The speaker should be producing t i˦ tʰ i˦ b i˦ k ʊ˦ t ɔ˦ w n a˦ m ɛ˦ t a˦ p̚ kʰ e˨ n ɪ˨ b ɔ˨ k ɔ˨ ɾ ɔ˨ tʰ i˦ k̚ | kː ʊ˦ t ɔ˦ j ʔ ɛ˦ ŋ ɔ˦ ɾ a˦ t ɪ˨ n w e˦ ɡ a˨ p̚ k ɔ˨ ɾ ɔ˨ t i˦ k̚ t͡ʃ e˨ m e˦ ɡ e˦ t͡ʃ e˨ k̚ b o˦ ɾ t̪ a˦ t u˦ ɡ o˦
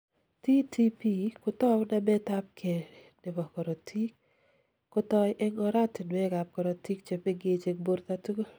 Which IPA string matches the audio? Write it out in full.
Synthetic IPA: t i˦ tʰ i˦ p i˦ k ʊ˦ t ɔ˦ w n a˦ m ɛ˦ t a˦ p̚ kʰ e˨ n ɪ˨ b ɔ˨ k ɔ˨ ɾ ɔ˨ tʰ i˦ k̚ | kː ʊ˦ t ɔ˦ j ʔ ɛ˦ ŋ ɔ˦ ɾ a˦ t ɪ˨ n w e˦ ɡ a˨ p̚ k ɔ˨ ɾ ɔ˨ t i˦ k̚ t͡ʃ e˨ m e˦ ɡ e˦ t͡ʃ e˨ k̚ b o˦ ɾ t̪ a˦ t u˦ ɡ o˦